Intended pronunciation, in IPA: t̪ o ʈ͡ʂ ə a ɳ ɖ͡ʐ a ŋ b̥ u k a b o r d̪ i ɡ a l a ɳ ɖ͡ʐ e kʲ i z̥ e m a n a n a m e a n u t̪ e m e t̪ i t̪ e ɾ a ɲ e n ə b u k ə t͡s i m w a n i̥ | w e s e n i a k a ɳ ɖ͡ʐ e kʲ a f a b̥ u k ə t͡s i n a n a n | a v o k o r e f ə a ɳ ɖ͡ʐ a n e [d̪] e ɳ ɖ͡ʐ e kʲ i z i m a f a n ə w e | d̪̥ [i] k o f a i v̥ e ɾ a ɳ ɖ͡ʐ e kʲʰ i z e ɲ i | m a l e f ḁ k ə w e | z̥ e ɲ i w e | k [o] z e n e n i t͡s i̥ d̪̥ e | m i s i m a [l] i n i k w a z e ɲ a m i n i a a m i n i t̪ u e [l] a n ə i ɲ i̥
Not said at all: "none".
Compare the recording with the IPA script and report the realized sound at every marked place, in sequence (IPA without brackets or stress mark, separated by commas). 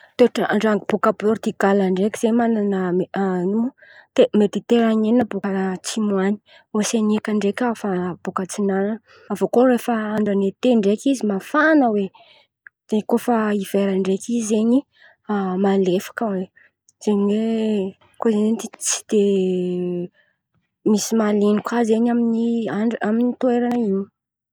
t̪, e, o, l, ɾ